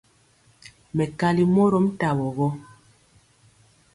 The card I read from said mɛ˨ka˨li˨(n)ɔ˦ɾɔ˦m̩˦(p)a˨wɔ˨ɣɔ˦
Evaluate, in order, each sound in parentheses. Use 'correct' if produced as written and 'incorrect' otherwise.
incorrect: m, incorrect: t

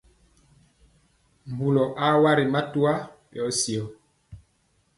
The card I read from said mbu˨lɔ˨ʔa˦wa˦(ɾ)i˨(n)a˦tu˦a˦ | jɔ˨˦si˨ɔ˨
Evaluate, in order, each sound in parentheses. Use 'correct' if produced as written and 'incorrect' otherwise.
correct, incorrect: m

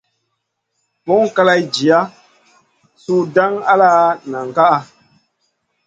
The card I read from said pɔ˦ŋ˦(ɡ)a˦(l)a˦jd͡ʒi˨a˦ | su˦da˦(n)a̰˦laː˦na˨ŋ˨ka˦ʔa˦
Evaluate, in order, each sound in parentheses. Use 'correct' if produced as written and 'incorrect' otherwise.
incorrect: k, correct, incorrect: ŋ

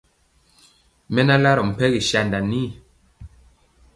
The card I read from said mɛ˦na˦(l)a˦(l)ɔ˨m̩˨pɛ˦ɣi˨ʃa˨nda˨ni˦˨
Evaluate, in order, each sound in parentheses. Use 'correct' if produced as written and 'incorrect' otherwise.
correct, incorrect: ɾ

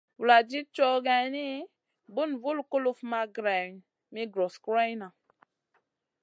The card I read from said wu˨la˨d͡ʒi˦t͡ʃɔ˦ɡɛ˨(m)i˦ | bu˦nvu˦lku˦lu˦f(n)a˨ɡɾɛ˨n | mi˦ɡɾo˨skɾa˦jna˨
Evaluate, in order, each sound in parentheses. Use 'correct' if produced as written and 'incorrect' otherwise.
incorrect: n, incorrect: m

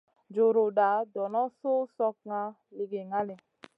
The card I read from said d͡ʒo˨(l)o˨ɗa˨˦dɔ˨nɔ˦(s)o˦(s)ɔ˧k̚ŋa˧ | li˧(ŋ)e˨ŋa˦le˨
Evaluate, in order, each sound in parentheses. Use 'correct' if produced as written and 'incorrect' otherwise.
incorrect: ɾ, correct, correct, incorrect: ɡ

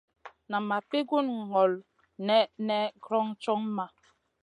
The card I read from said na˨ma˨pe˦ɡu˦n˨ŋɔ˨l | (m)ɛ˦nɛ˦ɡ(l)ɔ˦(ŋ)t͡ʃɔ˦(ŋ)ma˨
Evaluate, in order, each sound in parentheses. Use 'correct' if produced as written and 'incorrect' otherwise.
incorrect: n, incorrect: ɾ, correct, correct

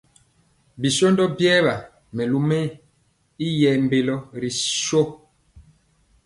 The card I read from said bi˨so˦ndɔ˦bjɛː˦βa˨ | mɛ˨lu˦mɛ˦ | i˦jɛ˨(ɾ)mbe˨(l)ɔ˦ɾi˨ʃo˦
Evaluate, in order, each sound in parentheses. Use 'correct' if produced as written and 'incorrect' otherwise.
incorrect: none, correct

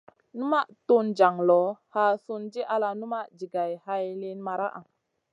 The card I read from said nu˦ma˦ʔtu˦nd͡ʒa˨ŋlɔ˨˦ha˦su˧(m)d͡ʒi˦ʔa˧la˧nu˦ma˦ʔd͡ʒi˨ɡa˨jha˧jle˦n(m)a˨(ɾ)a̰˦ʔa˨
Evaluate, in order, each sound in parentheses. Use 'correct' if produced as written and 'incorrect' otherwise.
incorrect: n, correct, correct

